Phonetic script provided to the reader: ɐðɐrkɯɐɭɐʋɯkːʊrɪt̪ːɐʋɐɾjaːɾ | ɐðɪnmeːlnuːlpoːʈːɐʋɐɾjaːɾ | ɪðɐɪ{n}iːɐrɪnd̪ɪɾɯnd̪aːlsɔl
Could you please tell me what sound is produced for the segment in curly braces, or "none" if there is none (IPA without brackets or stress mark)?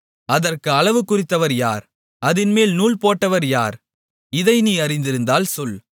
n